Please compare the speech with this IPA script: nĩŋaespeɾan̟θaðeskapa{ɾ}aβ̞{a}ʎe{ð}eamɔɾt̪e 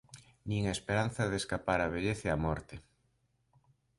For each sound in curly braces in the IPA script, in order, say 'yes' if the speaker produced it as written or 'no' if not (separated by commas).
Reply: yes, no, no